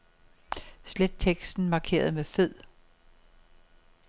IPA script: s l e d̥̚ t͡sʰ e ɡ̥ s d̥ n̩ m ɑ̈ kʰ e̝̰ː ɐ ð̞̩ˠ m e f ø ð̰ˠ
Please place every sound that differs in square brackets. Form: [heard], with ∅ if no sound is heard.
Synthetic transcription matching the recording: s l e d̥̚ t͡sʰ e ɡ̥ s d̥ n̩ m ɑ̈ kʰ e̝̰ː ɐ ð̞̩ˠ m e f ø ð̰ˠ